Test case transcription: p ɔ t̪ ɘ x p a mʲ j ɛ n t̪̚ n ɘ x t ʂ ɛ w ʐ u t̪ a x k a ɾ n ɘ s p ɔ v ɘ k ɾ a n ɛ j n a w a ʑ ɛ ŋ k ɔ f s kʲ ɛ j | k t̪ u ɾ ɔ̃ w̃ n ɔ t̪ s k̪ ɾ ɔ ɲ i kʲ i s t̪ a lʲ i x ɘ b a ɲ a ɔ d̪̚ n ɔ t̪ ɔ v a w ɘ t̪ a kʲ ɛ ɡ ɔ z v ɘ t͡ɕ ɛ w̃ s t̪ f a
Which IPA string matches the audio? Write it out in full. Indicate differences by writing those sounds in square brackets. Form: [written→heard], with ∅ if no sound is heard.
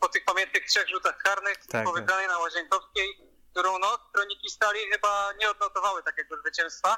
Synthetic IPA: p ɔ t̪ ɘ x p a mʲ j ɛ n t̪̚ n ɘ x t ʂ ɛ [w→ɣ] ʐ u t̪ a x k a ɾ n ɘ [s→x] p ɔ v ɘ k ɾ a n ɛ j n a w a ʑ ɛ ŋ k ɔ f s kʲ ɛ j | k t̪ u ɾ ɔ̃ w̃ n ɔ t̪ s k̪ ɾ ɔ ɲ i kʲ i s t̪ a lʲ i x ɘ b a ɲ [a→ɛ] ɔ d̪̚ n ɔ t̪ ɔ v a w ɘ t̪ a kʲ ɛ ɡ ɔ z v ɘ t͡ɕ ɛ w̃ s t̪ f a